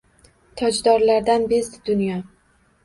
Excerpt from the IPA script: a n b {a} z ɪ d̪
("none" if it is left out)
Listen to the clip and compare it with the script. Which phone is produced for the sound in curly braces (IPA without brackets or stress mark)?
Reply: e